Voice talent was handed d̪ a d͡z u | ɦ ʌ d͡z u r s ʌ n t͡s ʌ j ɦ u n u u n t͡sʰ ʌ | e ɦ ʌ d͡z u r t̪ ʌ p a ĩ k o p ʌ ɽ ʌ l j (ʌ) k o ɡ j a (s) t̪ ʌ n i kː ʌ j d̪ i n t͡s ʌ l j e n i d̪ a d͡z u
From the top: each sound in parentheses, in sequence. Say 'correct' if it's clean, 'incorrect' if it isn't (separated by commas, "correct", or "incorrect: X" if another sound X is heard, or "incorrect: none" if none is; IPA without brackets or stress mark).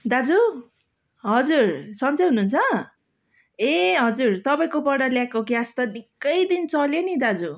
incorrect: a, correct